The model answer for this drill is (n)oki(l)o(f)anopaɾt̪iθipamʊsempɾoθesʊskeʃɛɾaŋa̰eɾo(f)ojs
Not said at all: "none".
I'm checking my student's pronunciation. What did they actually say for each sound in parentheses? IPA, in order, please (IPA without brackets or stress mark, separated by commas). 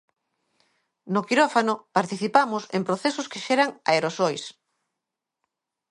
n, ɾ, f, s